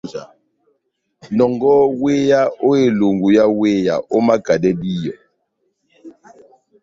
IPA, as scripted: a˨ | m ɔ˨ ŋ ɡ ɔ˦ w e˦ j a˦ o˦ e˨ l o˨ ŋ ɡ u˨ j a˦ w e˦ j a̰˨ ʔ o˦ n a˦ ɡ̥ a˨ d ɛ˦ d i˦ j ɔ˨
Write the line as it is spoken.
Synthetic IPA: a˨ | n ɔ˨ ŋ ɡ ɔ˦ w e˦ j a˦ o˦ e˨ l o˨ ŋ ɡ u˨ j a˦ w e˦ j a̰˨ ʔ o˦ m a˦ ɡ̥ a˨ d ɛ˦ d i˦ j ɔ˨